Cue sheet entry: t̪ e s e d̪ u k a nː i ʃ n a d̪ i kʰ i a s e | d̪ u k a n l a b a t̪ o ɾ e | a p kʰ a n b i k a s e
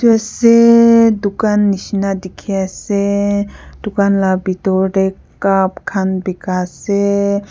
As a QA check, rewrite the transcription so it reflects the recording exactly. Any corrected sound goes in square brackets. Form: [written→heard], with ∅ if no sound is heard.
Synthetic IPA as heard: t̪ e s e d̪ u k a nː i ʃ n a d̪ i kʰ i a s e | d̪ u k a n l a b [a→i] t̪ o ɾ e | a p kʰ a n b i k a s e